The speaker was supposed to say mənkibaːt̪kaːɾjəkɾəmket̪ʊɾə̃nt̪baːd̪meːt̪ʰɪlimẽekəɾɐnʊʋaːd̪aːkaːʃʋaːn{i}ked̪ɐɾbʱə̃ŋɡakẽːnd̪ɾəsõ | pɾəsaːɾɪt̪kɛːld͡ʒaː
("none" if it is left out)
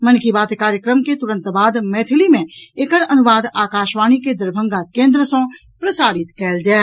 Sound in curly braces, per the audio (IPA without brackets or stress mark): i